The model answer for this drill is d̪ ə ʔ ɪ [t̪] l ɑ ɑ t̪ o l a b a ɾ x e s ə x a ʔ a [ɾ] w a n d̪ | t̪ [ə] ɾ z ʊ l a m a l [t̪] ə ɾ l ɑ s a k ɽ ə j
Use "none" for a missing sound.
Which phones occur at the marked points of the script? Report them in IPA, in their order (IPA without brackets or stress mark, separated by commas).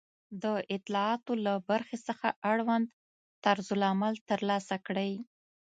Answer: t̪, ɽ, a, t̪